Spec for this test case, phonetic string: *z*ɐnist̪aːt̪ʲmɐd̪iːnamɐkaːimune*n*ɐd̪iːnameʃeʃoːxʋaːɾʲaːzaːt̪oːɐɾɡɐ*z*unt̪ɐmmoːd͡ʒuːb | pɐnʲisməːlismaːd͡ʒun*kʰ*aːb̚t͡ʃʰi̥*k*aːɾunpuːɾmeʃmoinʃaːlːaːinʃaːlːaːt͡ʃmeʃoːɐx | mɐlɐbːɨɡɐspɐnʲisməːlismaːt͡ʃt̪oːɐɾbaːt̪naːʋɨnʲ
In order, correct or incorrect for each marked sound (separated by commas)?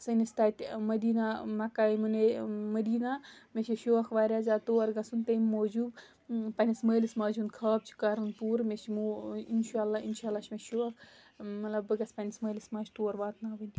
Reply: incorrect, incorrect, incorrect, correct, correct